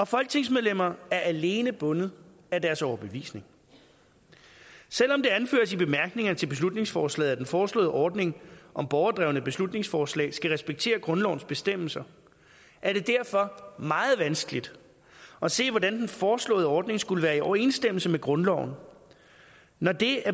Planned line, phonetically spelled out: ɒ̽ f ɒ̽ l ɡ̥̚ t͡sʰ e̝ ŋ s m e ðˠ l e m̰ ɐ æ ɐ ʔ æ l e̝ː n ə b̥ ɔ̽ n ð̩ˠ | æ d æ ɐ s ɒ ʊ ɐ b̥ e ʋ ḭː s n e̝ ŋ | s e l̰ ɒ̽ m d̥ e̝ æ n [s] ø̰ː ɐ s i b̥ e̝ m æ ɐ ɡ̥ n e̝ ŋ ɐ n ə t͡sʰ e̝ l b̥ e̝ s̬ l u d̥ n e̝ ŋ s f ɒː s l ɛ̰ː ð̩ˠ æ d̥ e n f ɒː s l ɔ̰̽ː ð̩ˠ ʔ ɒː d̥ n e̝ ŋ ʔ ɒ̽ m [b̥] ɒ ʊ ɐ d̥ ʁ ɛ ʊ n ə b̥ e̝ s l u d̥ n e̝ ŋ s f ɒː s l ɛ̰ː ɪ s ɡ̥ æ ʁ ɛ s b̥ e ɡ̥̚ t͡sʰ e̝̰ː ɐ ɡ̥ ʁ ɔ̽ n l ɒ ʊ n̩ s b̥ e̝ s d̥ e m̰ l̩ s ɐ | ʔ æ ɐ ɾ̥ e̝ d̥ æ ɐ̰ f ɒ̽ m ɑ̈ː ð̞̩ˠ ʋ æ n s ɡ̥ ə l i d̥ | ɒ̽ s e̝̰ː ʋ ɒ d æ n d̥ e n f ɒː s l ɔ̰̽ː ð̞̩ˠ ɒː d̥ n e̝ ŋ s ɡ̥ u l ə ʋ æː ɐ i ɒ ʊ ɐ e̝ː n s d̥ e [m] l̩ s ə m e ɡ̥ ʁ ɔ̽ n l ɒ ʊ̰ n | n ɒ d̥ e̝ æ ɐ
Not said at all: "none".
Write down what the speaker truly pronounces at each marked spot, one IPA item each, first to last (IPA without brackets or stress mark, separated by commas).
f, b̥, m